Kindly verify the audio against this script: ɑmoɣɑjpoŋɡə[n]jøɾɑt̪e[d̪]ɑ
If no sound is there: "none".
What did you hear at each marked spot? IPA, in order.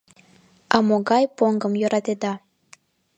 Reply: m, d̪

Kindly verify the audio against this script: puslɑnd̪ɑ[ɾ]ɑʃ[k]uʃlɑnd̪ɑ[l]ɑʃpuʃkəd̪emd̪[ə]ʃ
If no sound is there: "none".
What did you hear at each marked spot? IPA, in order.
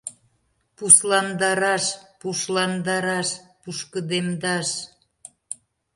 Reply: ɾ, p, ɾ, ɑ

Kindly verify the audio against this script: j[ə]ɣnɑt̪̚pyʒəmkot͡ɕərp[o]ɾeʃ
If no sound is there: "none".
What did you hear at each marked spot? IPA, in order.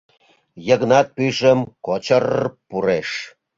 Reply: ə, u

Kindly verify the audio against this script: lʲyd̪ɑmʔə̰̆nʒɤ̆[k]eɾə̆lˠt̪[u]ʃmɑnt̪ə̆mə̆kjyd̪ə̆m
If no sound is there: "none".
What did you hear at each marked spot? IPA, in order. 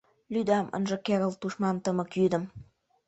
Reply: k, u

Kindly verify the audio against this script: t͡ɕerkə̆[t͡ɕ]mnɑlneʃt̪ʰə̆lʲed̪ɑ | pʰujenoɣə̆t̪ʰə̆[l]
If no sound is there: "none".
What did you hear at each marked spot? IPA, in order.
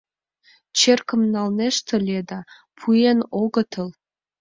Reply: none, l

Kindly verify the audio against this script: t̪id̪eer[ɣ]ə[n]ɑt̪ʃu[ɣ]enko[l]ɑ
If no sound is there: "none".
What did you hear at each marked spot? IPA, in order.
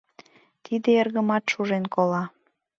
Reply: ɣ, m, ʒ, l

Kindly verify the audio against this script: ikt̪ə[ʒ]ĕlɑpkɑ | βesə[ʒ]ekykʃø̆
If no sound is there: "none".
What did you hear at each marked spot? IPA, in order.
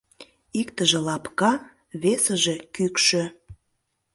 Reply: ʒ, ʒ

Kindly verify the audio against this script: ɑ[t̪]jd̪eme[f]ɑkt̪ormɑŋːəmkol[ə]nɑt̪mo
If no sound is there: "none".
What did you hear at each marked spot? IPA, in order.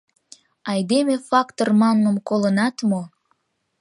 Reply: none, f, ə

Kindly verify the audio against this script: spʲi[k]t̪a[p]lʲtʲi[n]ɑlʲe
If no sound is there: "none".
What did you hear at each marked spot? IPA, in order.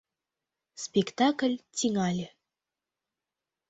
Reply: k, k, ŋ

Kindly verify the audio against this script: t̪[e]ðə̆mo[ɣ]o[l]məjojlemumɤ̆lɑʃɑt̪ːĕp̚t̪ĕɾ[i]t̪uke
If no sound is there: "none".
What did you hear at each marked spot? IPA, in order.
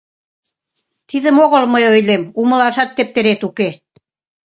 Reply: i, ɣ, l, e

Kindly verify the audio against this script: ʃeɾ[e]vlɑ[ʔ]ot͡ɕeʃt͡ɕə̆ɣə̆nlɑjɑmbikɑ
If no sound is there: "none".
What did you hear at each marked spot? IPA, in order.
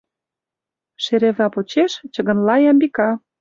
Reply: e, p

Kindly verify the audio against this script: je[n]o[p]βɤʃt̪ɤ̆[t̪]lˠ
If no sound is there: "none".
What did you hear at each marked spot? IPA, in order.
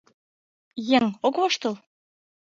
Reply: ŋ, k, none

